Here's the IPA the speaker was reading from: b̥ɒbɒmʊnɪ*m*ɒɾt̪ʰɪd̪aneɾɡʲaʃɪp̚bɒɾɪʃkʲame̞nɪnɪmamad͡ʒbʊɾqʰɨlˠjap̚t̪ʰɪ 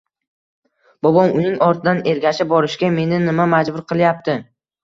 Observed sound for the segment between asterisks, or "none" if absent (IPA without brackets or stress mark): ŋ